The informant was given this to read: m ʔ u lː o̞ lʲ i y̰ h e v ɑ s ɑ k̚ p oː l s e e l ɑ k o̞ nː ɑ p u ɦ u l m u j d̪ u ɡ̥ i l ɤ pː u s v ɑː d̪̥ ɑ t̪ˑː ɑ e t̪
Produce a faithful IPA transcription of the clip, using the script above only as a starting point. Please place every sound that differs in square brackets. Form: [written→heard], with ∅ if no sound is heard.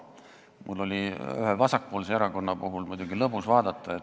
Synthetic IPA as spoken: m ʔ u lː o̞ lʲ i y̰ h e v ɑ s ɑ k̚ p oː l s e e [l→ɾ] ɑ k o̞ nː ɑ p u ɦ u l m u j d̪ u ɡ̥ i l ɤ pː u s v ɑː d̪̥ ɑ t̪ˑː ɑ e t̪